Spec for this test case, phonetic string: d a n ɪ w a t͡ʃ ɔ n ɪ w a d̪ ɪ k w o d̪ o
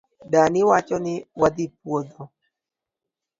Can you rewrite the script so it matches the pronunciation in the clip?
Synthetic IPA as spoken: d a n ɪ w a t͡ʃ ɔ n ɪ w a d̪ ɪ p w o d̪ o